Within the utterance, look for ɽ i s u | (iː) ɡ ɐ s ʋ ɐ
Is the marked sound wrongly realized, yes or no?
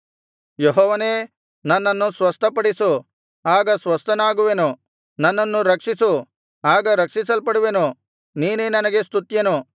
yes